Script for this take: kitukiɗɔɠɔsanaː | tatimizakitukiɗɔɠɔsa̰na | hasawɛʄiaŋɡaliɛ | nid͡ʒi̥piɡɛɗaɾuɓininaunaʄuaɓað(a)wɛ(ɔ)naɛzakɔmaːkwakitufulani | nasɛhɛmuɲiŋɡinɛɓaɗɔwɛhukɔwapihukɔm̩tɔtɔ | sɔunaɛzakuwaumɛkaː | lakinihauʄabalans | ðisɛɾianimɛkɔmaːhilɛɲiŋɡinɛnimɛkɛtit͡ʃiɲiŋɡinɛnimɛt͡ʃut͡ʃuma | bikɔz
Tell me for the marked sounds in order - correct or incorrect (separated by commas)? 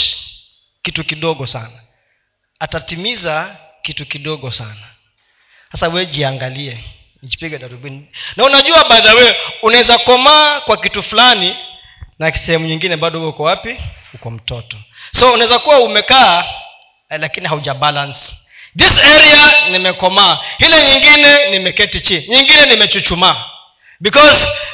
correct, incorrect